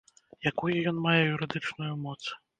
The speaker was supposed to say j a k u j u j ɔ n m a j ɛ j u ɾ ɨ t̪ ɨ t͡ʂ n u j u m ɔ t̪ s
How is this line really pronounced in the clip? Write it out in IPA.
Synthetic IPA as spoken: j a k u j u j ɔ n m a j ɛ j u ɾ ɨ d̪ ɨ t͡ʂ n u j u m ɔ t̪ s